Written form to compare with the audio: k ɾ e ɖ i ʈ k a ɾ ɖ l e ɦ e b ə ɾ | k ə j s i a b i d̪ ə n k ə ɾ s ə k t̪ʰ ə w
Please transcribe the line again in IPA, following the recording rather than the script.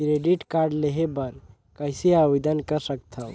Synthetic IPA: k ɾ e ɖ i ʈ k a ɾ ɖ l e ɦ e b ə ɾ | k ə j s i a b i d̪ ə n k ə ɾ s ə k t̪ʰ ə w

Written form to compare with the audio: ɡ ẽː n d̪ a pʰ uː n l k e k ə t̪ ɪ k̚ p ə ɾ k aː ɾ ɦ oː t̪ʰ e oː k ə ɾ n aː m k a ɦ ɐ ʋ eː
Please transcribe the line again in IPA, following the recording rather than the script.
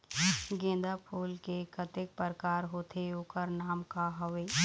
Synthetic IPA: ɡ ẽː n d̪ a pʰ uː l k e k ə t̪ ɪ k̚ p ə ɾ k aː ɾ ɦ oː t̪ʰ e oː k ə ɾ n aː m k a ɦ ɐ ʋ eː

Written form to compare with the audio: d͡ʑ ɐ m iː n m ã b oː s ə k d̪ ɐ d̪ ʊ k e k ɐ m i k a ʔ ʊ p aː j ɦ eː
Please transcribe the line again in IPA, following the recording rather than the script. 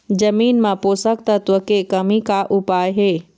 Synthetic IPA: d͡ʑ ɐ m iː n m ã p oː s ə k t̪ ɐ t̪ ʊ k e k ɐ m i k a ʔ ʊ p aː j ɦ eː

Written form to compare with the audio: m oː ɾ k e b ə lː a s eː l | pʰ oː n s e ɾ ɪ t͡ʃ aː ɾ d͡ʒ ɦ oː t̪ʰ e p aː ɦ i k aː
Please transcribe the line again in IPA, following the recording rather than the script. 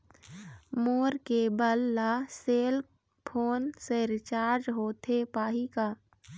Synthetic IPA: m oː ɾ k e b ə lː a s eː l | pʰ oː n s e ɾ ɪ t͡ʃ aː ɾ d͡ʒ ɦ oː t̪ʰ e p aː ɦ i k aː

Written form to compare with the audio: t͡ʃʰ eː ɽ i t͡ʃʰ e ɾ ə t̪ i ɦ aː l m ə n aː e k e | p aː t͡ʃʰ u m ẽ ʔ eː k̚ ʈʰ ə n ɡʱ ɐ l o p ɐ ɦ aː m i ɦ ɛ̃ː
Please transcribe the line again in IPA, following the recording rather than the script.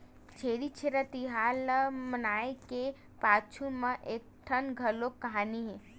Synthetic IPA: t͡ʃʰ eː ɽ i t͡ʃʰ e ɾ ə t̪ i ɦ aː l m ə n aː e k e | p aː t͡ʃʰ u m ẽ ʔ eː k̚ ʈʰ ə n ɡʱ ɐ l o k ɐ ɦ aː n i ɦ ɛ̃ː

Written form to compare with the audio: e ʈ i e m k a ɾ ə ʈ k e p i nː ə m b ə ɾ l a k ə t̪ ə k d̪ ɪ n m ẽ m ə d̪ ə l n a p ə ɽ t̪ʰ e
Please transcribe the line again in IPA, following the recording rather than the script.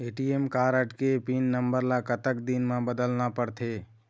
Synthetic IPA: e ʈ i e m k a ɾ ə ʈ k e p i nː ə m b ə ɾ l a k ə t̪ ə k d̪ i n m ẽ b ə d̪ ə l n a p ə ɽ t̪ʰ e

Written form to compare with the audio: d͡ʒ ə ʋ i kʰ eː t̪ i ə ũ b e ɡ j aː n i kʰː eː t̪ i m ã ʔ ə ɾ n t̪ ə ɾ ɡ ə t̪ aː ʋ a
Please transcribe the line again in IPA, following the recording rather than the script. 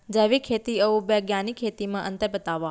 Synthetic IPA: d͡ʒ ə ʋ i kʰ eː t̪ i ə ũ b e ɡ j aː n i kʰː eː t̪ i m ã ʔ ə n t̪ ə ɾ b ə t̪ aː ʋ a

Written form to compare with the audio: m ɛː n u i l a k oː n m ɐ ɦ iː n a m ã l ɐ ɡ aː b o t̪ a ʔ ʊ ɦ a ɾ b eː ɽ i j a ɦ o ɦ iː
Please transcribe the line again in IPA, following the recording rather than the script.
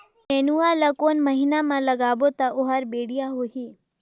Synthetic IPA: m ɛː n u a l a k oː n m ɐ ɦ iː n a m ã l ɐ ɡ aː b o t̪ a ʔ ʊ ɦ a ɾ b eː ɽ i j a ɦ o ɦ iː

